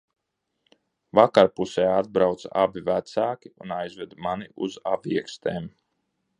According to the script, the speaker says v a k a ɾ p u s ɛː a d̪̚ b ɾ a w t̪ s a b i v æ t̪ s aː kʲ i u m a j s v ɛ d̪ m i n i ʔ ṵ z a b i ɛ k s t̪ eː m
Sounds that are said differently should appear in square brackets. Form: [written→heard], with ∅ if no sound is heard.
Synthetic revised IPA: v a k a ɾ p u s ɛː a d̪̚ b ɾ a w t̪ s a b i v æ t̪ s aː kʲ i u [m→n] a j [s→z] v ɛ d̪ m [i→a] n i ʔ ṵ z a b i ɛ k s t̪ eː m